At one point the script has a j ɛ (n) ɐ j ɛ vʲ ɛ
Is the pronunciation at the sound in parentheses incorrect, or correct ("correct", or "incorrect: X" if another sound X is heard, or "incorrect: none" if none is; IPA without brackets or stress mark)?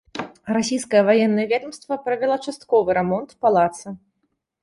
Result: incorrect: nː